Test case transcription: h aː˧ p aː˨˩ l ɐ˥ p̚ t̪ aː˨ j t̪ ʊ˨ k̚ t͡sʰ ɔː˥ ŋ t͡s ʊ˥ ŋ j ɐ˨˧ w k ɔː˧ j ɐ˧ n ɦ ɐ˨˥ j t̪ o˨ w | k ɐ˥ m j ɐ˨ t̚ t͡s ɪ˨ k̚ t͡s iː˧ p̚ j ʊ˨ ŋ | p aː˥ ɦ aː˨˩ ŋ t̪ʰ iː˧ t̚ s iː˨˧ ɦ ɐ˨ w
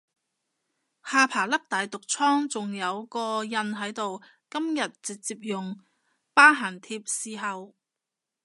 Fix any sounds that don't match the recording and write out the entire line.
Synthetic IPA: h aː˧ pʰ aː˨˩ l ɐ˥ k̚ t̪ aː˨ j t̪ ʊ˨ k̚ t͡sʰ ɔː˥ ŋ t͡s ʊ˨ ŋ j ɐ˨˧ w k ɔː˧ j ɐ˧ n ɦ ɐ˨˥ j t̪ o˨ w | k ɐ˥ m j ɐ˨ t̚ t͡s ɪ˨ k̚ t͡s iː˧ p̚ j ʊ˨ ŋ | p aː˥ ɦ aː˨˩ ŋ t̪ʰ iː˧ p̚ s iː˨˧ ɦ ɐ˨ w